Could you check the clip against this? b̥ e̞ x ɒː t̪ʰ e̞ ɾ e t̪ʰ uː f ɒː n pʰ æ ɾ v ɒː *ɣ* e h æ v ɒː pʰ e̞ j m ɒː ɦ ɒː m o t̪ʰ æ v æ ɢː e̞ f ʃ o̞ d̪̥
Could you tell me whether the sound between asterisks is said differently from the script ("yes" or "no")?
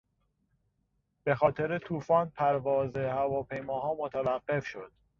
yes